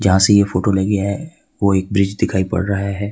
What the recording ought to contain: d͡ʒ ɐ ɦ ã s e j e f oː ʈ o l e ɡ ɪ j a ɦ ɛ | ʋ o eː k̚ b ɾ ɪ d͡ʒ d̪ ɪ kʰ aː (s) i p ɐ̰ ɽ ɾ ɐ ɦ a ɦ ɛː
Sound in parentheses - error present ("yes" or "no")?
yes